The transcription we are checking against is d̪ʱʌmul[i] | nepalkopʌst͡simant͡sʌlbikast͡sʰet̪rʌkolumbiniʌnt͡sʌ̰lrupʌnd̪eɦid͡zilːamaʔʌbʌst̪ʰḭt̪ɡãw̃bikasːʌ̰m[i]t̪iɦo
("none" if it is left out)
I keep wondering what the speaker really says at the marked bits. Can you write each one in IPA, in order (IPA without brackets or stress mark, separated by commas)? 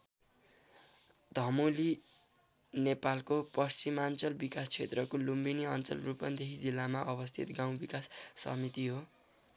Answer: i, i